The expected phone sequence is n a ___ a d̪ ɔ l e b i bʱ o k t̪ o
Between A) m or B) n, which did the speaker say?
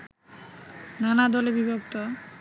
B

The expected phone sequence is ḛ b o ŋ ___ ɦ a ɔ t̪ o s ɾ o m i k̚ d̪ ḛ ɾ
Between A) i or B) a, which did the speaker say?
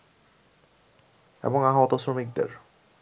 B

